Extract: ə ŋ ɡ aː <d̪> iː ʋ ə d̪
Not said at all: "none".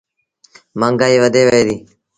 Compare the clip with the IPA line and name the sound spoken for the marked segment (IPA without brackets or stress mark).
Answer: none